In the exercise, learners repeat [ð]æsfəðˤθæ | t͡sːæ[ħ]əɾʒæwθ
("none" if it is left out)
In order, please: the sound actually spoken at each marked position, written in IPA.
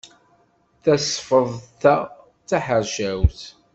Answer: θ, ħ

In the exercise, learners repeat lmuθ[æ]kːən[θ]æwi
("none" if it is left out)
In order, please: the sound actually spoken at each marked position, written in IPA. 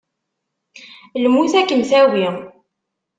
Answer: æ, θ

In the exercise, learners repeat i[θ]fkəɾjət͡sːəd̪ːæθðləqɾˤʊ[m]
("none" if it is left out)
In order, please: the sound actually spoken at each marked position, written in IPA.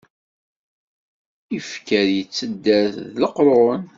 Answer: none, n

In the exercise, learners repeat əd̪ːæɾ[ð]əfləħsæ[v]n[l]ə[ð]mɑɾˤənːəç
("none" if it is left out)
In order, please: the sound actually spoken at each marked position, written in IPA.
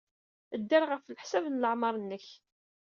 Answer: ʁ, v, l, ʕ

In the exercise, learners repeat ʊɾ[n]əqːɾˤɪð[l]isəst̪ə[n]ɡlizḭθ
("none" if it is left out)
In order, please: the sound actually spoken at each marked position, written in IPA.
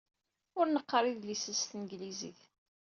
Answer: n, l, n

